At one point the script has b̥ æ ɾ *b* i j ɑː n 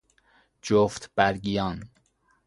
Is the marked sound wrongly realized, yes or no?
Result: yes